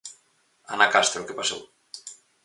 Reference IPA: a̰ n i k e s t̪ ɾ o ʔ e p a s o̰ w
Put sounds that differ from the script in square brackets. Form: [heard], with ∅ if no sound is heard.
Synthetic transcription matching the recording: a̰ n [a] k [a] s t̪ ɾ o [k] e p a s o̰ w